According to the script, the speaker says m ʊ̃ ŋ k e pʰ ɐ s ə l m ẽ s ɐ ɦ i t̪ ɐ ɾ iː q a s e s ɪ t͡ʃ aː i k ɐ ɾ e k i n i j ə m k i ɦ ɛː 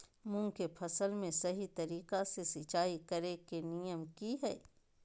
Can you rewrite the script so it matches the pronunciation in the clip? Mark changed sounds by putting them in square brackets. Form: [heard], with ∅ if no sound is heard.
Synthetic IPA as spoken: m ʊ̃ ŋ k e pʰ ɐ s ə l m ẽ s ɐ ɦ i t̪ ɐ ɾ iː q a s e s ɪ t͡ʃ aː i k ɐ ɾ e k [e] n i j ə m k i ɦ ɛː